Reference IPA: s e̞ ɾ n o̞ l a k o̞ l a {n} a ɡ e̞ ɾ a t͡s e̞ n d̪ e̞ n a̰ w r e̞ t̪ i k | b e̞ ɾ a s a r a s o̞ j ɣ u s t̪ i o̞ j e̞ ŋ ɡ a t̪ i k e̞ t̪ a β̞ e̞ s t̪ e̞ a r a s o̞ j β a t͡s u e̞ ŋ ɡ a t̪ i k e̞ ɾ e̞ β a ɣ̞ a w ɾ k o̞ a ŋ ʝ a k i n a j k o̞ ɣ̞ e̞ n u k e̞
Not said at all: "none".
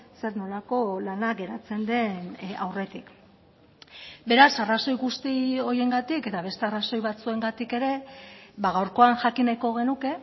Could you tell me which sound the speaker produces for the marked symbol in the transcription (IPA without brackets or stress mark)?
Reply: n